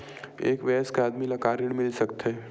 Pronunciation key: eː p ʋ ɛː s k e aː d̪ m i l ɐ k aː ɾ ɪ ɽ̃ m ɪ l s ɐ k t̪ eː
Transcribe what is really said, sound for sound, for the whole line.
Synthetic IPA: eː k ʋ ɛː s k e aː d̪ m i l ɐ k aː ɾ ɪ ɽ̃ m ɪ l s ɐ k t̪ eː